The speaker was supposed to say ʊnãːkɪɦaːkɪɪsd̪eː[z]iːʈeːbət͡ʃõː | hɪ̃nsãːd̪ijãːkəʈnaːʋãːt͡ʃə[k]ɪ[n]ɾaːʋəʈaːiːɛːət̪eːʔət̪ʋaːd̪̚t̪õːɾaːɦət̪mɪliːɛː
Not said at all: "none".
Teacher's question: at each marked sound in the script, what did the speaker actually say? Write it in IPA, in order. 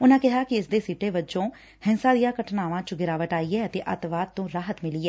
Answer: s, ɡ, none

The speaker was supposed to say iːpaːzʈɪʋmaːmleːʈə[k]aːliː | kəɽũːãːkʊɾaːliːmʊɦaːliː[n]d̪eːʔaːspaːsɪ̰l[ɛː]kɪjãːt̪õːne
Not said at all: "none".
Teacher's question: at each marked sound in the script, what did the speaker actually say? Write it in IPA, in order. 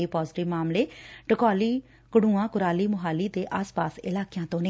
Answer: k, none, aː

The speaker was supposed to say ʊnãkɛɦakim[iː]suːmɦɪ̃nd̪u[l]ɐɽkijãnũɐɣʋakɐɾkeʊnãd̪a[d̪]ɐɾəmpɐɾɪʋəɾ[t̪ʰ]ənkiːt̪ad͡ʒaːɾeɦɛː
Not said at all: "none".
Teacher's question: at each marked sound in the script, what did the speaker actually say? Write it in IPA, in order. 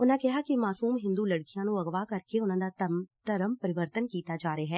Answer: aː, l, t̪, t̪

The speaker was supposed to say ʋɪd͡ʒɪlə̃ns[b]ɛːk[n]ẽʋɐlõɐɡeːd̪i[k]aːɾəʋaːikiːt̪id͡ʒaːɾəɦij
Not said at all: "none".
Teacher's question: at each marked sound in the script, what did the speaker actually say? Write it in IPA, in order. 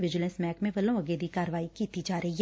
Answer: m, m, k

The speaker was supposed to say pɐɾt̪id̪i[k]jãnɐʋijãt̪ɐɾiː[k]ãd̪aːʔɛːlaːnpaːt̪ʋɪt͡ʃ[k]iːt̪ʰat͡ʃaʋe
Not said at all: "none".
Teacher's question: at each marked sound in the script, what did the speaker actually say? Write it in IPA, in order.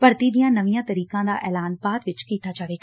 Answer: none, k, k

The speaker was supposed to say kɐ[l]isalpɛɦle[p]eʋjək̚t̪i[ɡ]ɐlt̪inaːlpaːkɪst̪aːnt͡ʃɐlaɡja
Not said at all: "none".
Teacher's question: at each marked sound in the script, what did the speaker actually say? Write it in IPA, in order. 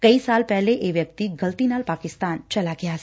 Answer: none, ʔ, ɡ

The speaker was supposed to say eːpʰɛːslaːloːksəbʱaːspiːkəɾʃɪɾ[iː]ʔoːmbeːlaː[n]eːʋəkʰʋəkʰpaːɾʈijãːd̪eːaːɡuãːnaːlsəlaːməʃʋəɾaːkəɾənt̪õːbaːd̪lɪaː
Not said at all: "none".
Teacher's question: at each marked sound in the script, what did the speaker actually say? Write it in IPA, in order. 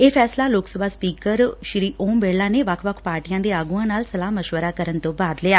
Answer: iː, n

